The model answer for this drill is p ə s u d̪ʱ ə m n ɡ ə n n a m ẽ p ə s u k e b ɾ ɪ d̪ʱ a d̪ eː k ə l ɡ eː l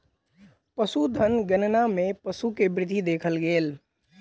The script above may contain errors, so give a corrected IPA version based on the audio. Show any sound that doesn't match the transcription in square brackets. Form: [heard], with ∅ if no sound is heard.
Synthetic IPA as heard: p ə s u d̪ʱ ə [∅] n ɡ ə n n a m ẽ p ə s u k e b ɾ ɪ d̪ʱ [i] d̪ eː [kʰ] ə l ɡ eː l